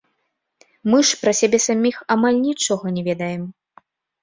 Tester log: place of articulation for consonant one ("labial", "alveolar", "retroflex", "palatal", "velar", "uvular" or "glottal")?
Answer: labial